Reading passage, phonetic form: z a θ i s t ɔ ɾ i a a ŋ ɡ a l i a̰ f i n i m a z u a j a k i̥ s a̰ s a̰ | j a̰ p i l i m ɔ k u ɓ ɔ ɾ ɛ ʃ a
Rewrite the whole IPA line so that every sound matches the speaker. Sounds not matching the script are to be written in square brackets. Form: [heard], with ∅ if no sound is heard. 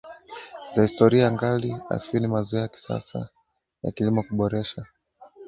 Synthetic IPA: z a [h] i s t ɔ ɾ i a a ŋ ɡ a l i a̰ f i n i m a z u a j a k i̥ s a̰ s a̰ | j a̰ [k] i l i m ɔ k u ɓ ɔ ɾ ɛ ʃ a